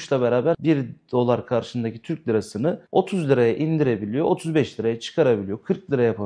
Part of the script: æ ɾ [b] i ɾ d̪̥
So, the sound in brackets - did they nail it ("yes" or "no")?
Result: yes